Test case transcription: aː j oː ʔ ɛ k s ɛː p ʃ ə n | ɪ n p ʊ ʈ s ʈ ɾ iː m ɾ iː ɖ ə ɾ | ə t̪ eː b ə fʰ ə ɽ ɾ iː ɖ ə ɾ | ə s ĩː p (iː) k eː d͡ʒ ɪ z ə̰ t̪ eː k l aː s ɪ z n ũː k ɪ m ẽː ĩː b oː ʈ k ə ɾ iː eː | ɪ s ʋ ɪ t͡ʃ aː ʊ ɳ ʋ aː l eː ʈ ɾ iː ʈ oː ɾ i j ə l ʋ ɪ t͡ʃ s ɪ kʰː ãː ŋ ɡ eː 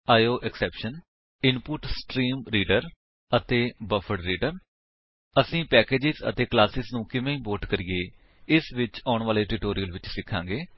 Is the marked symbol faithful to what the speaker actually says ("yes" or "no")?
no